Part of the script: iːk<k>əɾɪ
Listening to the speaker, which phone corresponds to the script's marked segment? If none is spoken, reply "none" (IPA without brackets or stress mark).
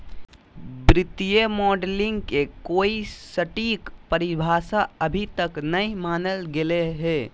p